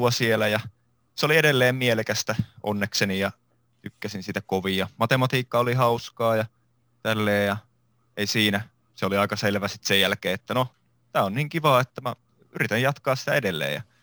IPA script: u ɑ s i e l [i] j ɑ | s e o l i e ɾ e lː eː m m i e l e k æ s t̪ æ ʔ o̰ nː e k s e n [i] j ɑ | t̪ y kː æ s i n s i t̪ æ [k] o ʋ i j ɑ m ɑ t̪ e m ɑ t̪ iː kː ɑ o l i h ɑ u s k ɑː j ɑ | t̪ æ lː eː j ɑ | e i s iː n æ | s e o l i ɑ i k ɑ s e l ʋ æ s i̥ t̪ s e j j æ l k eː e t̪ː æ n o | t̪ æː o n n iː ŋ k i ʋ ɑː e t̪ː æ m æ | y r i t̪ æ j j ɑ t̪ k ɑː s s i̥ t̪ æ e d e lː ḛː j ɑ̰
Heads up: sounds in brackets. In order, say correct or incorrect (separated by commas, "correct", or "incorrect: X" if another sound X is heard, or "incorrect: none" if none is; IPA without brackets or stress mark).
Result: incorrect: æ, correct, correct